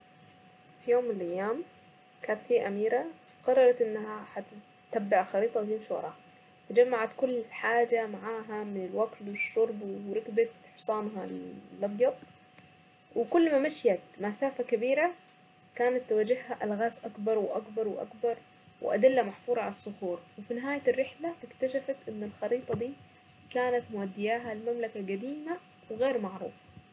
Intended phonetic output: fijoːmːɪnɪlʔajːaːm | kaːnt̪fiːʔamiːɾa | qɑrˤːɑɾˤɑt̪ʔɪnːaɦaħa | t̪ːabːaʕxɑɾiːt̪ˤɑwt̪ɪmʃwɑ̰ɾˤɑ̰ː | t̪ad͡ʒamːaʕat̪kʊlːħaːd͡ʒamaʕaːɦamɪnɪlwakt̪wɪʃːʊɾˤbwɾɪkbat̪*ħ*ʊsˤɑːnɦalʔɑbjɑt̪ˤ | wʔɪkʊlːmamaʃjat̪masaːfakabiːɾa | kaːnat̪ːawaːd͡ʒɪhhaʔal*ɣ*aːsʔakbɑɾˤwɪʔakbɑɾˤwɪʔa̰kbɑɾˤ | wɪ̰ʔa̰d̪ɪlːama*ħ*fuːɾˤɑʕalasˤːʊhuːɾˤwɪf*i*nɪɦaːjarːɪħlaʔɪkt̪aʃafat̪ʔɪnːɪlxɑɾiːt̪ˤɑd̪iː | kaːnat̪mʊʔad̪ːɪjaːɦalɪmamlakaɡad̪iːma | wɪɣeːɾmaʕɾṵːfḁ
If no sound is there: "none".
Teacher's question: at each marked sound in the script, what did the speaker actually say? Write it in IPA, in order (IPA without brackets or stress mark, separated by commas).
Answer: ħ, ɣ, ħ, i